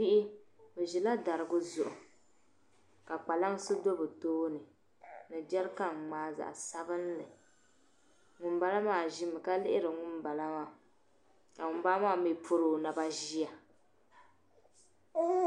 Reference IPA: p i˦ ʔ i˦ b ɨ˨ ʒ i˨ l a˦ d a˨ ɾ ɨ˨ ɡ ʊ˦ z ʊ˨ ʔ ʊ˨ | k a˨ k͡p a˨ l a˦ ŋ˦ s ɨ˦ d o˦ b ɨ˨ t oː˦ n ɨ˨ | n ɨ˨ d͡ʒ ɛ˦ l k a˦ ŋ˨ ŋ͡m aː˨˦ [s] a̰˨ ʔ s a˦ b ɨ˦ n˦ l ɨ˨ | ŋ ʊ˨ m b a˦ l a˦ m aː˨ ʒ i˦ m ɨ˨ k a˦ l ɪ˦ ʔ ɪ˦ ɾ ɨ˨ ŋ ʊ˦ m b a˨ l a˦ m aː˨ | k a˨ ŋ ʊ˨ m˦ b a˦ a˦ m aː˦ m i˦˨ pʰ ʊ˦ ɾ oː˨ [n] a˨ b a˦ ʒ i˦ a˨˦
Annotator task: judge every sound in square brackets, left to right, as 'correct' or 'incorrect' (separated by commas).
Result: incorrect, correct